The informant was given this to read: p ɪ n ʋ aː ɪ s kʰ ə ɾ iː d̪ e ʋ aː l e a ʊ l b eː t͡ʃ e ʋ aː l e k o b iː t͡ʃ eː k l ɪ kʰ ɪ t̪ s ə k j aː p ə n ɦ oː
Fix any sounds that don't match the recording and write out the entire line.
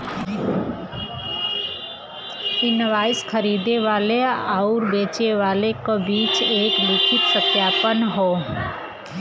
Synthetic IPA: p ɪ n ʋ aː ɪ s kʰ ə ɾ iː d̪ e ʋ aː l e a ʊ ɾ b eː t͡ʃ e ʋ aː l e k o b iː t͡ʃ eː k l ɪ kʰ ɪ t̪ s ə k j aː p ə n ɦ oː